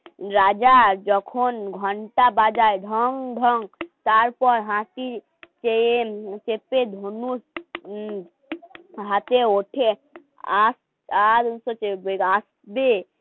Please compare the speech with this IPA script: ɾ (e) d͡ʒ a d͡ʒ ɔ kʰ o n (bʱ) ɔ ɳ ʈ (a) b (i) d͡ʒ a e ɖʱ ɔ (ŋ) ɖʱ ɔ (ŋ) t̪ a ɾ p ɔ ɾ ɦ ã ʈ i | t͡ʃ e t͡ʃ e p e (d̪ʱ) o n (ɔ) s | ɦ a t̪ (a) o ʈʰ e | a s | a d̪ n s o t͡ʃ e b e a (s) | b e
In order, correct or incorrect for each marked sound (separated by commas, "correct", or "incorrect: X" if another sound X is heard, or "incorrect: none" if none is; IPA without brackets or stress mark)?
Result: incorrect: a, incorrect: ɡʱ, correct, incorrect: a, correct, correct, correct, incorrect: u, incorrect: e, correct